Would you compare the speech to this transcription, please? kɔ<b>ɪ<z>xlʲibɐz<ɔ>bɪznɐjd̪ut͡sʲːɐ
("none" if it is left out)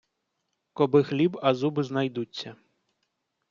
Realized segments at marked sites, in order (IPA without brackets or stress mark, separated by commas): b, none, u